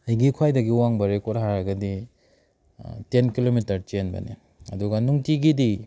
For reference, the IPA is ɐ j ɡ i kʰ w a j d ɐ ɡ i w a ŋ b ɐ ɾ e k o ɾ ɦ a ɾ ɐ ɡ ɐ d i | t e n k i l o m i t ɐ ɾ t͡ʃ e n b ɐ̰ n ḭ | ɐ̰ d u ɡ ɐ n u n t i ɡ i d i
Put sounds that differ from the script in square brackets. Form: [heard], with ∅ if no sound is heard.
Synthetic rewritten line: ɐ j ɡ i kʰ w a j d ɐ ɡ i w a ŋ b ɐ ɾ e k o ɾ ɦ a ɾ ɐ ɡ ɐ d i | t e n k i l o m i t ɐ ɾ t͡ʃ e n b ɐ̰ n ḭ | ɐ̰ d u ɡ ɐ n u [ŋ] t i ɡ i d i